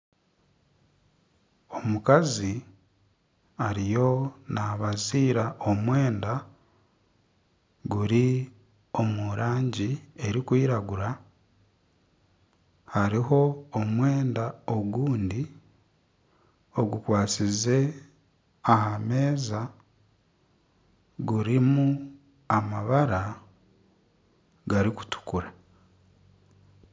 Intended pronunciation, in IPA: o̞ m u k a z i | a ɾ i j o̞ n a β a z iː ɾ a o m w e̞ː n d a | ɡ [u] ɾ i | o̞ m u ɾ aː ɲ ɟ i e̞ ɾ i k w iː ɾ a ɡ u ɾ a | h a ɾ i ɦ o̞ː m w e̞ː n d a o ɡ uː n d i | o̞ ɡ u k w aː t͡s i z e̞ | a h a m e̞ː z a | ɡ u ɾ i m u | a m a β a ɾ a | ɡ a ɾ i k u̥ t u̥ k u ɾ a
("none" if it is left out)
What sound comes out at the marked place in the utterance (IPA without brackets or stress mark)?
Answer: u